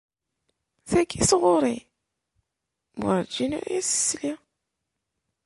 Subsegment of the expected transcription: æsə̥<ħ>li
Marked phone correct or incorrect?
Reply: incorrect